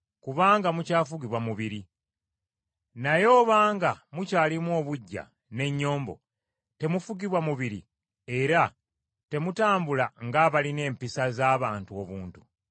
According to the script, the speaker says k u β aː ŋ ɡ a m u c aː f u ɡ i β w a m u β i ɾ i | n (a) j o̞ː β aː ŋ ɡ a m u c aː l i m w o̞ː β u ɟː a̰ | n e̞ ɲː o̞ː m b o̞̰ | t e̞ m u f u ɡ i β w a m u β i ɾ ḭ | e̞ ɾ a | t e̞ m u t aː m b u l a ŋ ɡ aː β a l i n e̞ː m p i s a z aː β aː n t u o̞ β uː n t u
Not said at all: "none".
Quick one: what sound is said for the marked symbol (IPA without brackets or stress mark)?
a